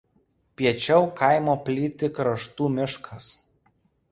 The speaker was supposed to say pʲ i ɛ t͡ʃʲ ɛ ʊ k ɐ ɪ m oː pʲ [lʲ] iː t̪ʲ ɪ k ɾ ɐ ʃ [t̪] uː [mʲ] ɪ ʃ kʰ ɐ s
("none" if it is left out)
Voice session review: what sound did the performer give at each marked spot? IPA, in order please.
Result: lʲ, t̪, mʲ

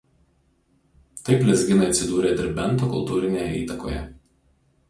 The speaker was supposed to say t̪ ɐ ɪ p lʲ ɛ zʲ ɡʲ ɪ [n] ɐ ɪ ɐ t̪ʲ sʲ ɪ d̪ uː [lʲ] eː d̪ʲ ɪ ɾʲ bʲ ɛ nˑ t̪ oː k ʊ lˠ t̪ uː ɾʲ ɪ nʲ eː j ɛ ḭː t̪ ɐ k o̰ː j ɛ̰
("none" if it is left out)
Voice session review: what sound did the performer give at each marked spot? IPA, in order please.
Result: n, ɾʲ

